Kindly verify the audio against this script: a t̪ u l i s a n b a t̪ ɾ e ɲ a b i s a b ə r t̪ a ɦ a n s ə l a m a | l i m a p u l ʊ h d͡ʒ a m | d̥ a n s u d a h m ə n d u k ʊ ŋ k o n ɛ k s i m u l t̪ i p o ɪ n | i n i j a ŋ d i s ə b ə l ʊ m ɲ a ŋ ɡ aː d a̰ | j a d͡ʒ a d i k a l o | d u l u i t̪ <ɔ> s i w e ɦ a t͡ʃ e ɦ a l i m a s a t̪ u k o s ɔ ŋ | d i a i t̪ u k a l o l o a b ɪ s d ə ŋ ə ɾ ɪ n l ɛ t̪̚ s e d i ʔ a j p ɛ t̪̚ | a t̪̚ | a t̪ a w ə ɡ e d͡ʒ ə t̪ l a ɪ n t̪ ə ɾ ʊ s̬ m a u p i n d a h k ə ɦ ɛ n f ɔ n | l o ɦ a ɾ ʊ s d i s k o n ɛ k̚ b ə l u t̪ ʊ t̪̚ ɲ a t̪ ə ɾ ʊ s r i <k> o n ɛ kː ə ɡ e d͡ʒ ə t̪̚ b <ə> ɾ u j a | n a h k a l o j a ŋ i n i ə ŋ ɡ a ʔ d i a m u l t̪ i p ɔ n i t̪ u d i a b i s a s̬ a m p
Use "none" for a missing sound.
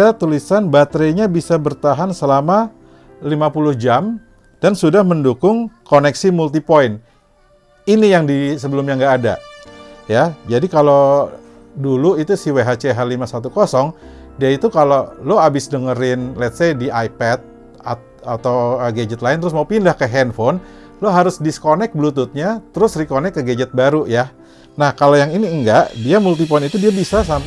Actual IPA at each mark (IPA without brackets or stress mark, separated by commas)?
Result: u, k, a